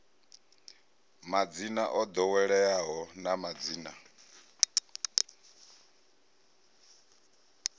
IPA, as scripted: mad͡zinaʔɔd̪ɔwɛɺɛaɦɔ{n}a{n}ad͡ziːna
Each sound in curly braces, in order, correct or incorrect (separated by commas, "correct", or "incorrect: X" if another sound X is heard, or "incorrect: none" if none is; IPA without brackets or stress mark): correct, incorrect: m